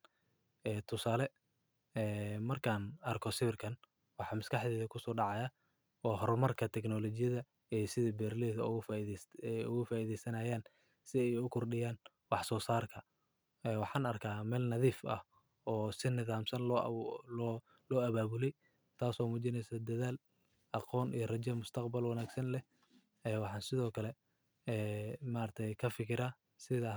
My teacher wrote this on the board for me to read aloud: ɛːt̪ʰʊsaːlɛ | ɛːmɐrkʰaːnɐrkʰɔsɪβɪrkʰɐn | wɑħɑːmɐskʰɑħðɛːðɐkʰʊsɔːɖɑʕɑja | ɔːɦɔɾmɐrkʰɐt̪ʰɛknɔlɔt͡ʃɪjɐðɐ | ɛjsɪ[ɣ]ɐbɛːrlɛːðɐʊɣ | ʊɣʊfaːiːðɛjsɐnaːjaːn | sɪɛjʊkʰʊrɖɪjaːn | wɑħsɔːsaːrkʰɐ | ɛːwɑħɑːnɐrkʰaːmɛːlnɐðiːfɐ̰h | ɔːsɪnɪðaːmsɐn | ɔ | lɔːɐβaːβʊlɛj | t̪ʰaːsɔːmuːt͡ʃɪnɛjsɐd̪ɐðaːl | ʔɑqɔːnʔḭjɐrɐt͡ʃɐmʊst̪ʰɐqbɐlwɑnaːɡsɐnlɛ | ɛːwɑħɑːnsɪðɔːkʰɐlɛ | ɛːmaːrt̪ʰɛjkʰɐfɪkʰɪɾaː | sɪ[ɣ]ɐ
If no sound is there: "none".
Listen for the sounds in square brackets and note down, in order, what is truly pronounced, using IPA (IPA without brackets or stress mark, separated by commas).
ð, ð